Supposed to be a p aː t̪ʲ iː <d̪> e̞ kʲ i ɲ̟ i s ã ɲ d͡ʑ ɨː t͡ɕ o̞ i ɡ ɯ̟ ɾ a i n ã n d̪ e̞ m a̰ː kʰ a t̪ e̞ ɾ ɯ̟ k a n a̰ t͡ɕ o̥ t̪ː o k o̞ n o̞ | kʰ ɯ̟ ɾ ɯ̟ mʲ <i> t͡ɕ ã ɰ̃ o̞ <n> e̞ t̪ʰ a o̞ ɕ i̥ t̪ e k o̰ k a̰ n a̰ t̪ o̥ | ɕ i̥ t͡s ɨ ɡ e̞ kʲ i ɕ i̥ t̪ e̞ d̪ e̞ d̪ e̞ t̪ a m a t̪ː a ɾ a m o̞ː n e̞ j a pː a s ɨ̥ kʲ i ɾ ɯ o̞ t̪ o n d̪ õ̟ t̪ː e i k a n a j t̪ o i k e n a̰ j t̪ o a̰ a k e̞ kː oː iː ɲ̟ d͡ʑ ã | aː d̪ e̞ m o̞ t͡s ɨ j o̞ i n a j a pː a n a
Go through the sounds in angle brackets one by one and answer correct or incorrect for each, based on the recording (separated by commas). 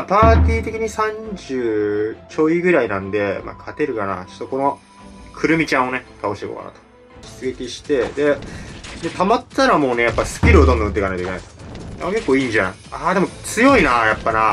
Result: incorrect, correct, correct